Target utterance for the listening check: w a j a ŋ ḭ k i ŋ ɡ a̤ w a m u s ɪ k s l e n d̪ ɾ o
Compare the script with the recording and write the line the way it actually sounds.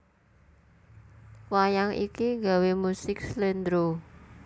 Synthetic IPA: w a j a ŋ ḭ k i ŋ ɡ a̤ w e m u s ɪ k s l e n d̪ ɾ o